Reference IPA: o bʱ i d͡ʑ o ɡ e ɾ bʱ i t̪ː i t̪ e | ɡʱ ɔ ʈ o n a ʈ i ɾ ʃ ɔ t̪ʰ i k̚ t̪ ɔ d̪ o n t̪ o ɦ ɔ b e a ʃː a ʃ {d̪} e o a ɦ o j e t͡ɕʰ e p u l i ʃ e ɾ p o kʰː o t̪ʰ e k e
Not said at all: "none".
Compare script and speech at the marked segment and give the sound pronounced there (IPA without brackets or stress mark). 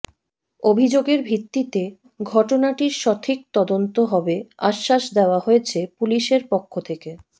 d̪